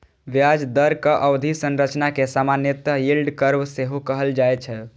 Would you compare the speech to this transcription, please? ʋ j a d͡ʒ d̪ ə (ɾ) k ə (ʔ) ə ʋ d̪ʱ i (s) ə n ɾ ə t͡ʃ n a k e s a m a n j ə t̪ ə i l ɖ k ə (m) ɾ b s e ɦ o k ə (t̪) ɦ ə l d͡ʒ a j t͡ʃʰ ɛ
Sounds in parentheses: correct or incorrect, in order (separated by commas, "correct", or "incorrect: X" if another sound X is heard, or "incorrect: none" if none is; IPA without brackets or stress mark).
correct, correct, correct, incorrect: none, incorrect: none